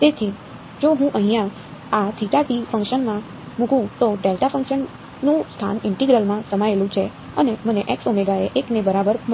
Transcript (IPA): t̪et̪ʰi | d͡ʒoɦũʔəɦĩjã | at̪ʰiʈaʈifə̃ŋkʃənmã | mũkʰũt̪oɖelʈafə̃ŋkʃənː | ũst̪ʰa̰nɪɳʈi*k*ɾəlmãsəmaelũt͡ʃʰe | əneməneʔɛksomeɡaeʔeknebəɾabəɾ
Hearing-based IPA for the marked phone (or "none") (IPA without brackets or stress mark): ɡ